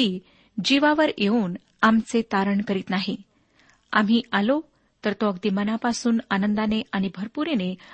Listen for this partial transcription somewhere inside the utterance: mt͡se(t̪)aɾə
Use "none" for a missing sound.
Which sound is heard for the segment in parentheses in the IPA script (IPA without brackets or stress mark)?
t̪